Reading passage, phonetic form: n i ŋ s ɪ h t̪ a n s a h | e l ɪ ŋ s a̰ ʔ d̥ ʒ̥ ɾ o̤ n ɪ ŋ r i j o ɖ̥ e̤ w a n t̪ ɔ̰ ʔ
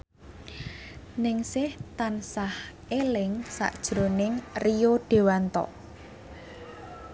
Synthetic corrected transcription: n ɪ ŋ s ɪ h t̪ a n s a h | e l ɪ ŋ s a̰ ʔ d̥ ʒ̥ ɾ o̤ n ɪ ŋ r i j o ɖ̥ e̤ w a n t̪ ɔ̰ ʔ

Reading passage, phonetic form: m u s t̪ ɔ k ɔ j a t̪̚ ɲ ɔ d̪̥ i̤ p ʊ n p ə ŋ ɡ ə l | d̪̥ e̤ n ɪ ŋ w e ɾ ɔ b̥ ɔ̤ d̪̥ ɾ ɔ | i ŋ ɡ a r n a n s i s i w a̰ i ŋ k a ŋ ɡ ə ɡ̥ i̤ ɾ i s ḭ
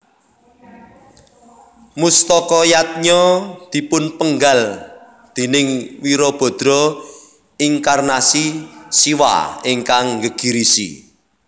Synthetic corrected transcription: m u s t̪ ɔ k ɔ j a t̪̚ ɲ ɔ d̪̥ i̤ p ʊ n p ə ŋ ɡ a l | d̪̥ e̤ n ɪ ŋ w i ɾ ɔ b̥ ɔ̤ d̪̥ ɾ ɔ | i ŋ k a r n a s i s i w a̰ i ŋ k a ŋ ɡ ə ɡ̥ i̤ ɾ i s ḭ

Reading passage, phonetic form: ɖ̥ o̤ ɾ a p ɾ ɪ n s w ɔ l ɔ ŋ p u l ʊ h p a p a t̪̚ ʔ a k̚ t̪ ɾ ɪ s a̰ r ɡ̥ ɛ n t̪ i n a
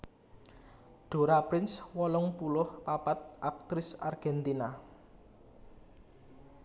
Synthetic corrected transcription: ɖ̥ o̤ ɾ a p ɾ ɪ n s w ɔ l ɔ ŋ p u l ʊ h p a p a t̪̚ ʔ a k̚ t̪ ɾ ɪ s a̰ r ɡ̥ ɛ n t̪ i n a

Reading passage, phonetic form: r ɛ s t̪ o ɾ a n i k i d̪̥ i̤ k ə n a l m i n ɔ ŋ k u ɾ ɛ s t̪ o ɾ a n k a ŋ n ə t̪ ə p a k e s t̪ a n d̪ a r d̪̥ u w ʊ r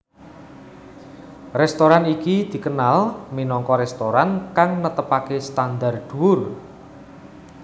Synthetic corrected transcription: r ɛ s t̪ o ɾ a n i k i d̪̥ i̤ k ə n a l m i n ɔ ŋ k ɔ ɾ ɛ s t̪ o ɾ a n k a ŋ n ə t̪ ə p a k e s t̪ a n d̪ a r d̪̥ u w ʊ r

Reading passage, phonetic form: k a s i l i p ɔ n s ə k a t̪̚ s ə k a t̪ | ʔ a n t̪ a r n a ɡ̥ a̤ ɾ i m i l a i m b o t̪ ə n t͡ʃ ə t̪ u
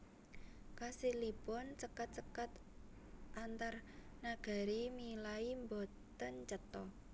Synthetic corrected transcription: k a s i l i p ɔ n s ə k a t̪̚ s ə k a t̪ | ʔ a n t̪ a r n a ɡ̥ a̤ ɾ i m i l a i m b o t̪ ə n t͡ʃ ə t̪ ɔ

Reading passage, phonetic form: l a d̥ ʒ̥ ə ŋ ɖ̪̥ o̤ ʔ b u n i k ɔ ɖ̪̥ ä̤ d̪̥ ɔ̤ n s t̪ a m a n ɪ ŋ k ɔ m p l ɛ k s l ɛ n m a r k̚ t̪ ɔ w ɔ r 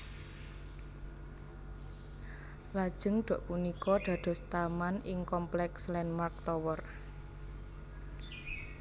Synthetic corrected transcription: l a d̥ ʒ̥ ə ŋ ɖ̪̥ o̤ ʔ p u n i k ɔ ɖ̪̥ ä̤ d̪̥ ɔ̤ s t̪ a m a n ɪ ŋ k ɔ m p l ɛ k s l ɛ n m a r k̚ t̪ ɔ w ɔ r

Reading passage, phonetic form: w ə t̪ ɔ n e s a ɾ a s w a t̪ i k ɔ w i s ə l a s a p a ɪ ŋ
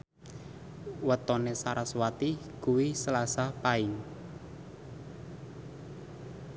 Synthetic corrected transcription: w ə t̪ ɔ n e s a ɾ a s w a t̪ i k u w i s ə l a s a p a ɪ ŋ

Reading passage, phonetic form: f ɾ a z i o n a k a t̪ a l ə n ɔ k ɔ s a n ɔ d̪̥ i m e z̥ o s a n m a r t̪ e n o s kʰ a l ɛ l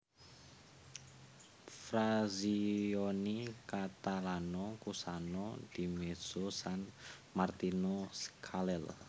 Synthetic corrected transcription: f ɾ a z i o n i k a t̪ a l a n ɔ k u s a n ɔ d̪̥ i m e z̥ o s a n m a r t̪ i n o s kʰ a l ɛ l

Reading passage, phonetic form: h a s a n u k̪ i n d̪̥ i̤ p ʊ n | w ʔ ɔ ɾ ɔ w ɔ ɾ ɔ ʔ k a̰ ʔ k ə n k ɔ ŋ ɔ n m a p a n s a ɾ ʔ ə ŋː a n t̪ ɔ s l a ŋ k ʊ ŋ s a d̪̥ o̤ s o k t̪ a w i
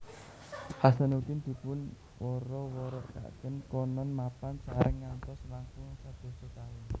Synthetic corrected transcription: h a s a n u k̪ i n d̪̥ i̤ p ʊ n | w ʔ ɔ ɾ ɔ w ɔ ɾ ɔ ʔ k a̰ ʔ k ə n k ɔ n ɔ n m a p a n s a ɾ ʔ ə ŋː a n t̪ ɔ s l a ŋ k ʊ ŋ s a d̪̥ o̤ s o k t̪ a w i

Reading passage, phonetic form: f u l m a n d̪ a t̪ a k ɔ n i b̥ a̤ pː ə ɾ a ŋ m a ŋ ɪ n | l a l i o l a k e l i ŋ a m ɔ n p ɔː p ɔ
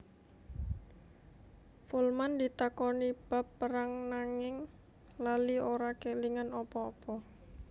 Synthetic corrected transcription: f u l m a n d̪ i t̪ a k ɔ n i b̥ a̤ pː ə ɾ a ŋ n a ŋ ɪ ŋ | l a l i o ɾ a k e l i ŋ a n ɔ p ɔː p ɔ

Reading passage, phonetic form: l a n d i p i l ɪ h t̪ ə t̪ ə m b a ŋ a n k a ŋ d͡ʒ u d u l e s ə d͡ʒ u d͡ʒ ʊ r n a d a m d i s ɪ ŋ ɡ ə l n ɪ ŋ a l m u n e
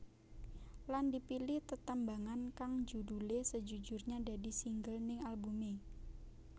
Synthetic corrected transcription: l a n d i p i l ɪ h t̪ ə t̪ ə m b a ŋ a n k a ŋ d͡ʒ u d u l e s ə d͡ʒ u d͡ʒ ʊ r ɲ a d a d i s i ŋ ɡ ə l n ɪ ŋ a l b u m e

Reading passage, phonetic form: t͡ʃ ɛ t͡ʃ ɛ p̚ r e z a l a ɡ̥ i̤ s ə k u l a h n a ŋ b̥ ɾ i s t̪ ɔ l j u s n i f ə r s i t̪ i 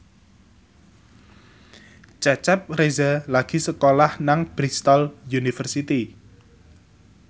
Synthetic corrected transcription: t͡ʃ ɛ t͡ʃ ɛ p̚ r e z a l a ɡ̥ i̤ s ə k o l a h n a ŋ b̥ ɾ i s t̪ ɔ l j u n i f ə r s i t̪ i

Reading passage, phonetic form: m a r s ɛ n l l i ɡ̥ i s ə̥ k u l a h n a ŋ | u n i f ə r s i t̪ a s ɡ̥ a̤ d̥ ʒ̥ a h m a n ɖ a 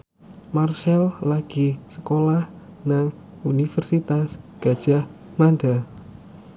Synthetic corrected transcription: m a r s ɛ l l a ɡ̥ i s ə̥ k o l a h n a ŋ | u n i f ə r s i t̪ a s ɡ̥ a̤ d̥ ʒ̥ a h m a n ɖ a

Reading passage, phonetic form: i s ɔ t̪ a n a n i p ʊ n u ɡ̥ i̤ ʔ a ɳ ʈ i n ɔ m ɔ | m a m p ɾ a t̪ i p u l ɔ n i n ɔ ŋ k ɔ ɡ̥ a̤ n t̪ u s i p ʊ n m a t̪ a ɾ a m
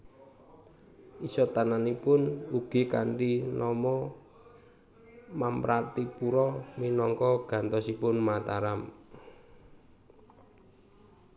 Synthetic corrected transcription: i s ɔ t̪ a n a n i p ʊ n u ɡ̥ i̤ k a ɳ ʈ i n ɔ m ɔ | m a m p ɾ a t̪ i p u ɾ ɔ m i n ɔ ŋ k ɔ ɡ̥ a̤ n t̪ ɔ s i p ʊ n m a t̪ a ɾ a m

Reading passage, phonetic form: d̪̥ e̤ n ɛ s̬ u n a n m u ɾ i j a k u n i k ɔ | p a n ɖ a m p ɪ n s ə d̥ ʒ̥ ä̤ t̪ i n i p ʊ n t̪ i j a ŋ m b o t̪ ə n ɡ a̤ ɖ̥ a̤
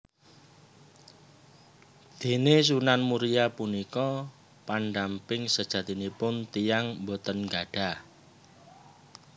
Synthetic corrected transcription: d̪̥ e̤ n e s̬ u n a n m u ɾ i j a p u n i k ɔ | p a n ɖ a m p ɪ ŋ s ə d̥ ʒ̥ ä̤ t̪ i n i p ʊ n t̪ i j a ŋ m b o t̪ ə n ɡ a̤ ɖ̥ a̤

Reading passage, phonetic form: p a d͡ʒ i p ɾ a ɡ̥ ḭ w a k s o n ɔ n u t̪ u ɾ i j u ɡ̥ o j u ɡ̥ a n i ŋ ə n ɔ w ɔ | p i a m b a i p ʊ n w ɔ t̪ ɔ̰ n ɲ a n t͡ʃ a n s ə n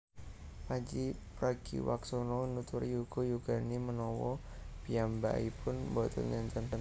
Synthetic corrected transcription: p a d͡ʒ i p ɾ a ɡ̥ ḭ w a k s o n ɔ n u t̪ u ɾ i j u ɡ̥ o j u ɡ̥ a n i m ə n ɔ w ɔ | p i a m b a i p ʊ n b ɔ t̪ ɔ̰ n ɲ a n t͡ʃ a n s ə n

